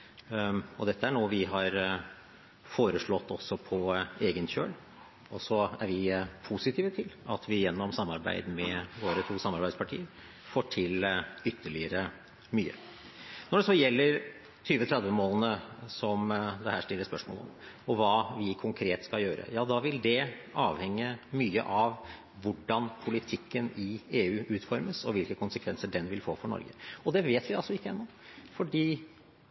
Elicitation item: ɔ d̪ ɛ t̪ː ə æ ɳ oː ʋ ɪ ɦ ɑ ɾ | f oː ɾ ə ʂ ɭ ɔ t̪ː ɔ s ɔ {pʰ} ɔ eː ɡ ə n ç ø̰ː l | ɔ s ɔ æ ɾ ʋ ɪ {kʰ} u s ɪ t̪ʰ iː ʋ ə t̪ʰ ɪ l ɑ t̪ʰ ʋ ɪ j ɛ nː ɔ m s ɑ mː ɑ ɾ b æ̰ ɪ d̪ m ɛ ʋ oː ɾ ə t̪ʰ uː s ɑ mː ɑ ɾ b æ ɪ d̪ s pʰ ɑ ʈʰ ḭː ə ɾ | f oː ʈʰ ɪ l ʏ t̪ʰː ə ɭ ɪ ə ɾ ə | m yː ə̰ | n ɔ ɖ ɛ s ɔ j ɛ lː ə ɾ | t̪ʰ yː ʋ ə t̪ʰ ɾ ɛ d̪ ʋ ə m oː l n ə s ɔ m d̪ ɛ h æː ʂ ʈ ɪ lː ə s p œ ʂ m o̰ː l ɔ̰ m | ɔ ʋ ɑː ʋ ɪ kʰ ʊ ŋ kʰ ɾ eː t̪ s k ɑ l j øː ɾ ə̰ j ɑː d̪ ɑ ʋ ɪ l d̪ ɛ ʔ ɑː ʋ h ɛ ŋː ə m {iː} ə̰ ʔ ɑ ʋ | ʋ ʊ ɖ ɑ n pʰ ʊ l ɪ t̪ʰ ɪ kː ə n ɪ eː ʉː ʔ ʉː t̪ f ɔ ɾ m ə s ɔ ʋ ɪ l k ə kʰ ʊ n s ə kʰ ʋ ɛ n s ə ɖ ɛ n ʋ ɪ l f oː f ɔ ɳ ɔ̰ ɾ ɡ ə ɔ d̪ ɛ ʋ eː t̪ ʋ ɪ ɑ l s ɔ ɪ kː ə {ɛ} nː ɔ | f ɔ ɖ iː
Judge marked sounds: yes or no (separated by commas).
yes, no, no, yes